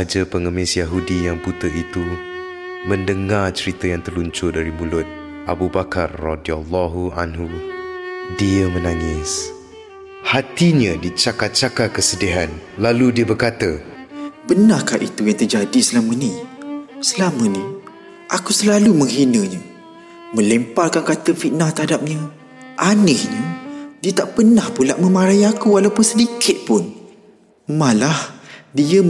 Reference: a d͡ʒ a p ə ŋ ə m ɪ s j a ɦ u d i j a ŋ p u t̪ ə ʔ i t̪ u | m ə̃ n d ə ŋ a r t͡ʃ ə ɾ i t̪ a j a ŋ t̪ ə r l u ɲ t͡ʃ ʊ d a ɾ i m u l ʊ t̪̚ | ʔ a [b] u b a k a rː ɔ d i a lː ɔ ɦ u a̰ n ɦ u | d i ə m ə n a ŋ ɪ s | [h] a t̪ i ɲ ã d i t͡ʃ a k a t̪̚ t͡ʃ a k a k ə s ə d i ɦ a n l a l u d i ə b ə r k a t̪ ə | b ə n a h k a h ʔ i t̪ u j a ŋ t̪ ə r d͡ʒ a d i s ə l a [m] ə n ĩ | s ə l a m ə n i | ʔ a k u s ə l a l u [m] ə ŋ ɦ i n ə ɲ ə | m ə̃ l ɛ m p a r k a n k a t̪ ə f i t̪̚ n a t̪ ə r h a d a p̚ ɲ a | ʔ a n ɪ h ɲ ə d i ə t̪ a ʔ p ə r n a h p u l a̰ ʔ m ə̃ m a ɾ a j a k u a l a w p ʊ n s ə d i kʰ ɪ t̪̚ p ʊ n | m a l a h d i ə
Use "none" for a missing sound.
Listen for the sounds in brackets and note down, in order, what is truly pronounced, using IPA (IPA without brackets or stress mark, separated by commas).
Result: b, h, m, m